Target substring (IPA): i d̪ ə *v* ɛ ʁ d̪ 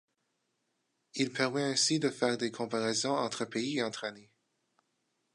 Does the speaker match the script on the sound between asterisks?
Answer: no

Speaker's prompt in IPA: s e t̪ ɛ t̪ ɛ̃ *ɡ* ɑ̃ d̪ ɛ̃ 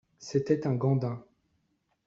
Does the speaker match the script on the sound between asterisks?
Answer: yes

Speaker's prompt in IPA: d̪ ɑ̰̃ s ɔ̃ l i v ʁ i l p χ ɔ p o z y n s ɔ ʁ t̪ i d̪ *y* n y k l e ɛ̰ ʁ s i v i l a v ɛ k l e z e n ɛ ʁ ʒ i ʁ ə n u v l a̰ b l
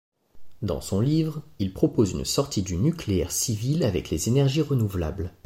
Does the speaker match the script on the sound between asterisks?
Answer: yes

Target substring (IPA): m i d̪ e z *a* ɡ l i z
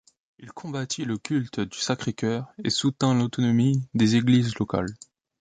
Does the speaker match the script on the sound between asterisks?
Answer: no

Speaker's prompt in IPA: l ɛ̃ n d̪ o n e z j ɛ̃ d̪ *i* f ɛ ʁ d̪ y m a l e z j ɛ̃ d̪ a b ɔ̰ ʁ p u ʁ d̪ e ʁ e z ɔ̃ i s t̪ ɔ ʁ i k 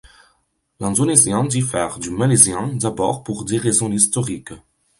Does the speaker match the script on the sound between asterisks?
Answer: yes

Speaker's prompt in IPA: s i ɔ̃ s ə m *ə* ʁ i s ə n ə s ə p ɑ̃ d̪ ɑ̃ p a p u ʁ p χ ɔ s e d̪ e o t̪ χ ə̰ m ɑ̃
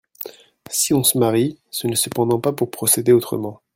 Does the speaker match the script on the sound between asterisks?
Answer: no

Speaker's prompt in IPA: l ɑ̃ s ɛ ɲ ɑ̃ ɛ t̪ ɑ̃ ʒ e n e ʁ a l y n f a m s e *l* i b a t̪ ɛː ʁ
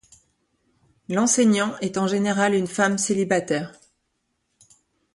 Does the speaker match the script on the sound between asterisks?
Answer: yes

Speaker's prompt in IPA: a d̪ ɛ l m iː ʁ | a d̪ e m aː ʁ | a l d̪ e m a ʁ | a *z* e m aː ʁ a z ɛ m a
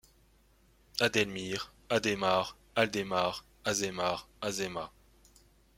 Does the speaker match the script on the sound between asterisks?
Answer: yes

